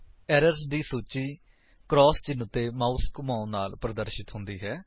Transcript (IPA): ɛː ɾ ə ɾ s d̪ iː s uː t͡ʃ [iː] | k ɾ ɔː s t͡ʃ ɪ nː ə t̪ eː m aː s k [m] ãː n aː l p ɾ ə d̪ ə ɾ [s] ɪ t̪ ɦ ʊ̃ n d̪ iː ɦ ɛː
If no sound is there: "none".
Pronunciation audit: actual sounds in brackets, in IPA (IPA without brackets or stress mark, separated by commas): iː, m, ʃ